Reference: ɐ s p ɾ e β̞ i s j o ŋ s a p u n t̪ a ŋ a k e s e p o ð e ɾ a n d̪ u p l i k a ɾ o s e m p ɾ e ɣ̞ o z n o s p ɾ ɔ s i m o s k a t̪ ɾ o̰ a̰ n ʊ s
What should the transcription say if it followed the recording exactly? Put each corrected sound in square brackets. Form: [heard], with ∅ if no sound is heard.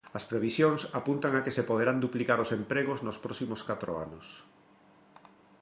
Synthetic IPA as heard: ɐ s p ɾ e β̞ i s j o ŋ s a p u n t̪ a ŋ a k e s e p o ð e ɾ a n d̪ u p l i k a ɾ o s e m p ɾ e ɣ̞ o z n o s p ɾ ɔ s i m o s k a t̪ ɾ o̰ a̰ n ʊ s